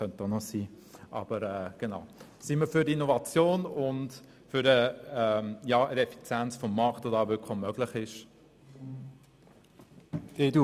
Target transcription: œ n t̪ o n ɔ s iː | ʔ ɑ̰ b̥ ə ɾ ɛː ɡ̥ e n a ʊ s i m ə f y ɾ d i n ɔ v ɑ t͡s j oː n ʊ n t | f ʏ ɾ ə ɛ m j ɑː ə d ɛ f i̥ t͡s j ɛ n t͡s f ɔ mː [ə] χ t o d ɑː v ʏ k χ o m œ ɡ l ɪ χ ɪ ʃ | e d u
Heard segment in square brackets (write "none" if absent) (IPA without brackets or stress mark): ɑ